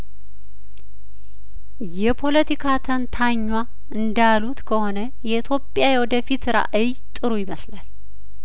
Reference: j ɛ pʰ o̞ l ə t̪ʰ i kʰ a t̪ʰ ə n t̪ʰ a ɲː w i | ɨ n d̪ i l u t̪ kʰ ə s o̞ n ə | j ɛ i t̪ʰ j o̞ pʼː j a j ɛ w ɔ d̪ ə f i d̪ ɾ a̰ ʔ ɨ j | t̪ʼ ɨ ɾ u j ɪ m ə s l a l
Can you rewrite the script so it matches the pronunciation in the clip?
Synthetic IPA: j ɛ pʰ o̞ l ə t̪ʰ i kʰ a t̪ʰ ə n t̪ʰ a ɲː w a | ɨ n d̪ a l u t̪ kʰ ə h o̞ n ə | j ɛ i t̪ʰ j o̞ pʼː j a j ɛ w ɔ d̪ ə f i t̪ ɾ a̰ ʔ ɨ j | t̪ʼ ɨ ɾ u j ɪ m ə s l a l